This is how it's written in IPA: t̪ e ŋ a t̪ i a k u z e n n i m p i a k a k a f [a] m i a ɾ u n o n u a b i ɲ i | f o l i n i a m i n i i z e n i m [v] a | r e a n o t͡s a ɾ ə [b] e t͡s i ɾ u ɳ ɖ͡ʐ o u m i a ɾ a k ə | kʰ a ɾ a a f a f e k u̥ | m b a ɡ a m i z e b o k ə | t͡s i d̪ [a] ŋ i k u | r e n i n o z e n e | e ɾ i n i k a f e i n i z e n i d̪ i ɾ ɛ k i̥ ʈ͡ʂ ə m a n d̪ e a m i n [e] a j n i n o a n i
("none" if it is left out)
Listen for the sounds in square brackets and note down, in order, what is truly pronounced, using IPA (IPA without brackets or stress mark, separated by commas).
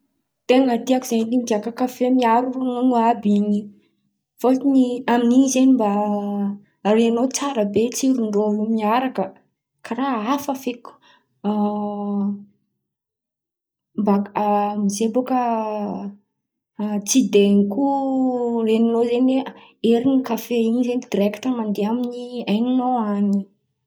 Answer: e, b, b, e, i